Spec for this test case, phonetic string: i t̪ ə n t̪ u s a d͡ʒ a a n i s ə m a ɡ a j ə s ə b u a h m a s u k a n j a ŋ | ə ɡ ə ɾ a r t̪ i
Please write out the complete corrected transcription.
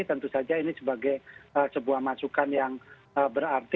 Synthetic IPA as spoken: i t̪ ə n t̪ u s a d͡ʒ a i n i s ə b a ɡ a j ə s ə b u a h m a s u k a n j a ŋ | ə b ə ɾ a r t̪ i